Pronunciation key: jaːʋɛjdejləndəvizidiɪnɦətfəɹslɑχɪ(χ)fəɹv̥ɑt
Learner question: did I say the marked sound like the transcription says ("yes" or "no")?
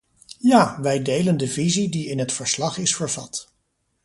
no